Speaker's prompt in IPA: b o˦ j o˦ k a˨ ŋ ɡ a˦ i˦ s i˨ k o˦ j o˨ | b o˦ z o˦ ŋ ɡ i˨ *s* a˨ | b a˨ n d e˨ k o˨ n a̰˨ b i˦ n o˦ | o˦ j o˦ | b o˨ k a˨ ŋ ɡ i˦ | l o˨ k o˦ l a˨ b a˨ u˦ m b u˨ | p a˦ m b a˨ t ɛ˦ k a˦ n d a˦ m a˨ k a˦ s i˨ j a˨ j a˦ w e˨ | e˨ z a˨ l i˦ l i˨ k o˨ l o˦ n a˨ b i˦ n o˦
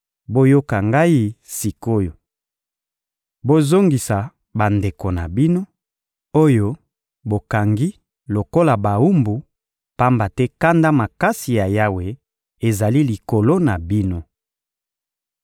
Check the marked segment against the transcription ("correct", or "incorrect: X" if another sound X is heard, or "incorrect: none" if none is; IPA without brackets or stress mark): correct